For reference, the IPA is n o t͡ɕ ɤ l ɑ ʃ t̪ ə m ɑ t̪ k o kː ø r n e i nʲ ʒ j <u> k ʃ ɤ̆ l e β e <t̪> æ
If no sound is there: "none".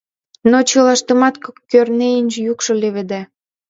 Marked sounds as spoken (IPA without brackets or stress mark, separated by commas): u, d̪